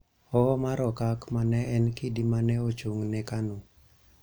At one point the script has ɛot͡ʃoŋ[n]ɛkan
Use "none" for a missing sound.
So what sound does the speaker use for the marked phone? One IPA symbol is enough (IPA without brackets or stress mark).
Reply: n